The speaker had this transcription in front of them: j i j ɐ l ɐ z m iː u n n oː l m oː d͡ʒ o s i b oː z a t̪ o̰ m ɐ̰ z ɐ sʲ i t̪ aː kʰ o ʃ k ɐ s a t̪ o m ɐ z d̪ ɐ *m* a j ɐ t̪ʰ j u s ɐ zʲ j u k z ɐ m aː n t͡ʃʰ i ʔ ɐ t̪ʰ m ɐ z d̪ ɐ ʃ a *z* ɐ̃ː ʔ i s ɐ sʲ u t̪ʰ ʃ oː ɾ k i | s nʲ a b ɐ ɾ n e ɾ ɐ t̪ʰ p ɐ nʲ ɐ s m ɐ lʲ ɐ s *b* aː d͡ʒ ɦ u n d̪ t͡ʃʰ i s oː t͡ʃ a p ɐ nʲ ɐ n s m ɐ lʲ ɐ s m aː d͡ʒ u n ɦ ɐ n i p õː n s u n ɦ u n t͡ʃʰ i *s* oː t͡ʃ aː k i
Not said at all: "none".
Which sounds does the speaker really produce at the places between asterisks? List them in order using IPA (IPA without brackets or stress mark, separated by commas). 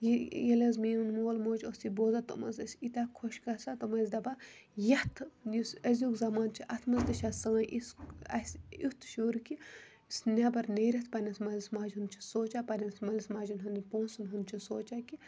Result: b, s, m, s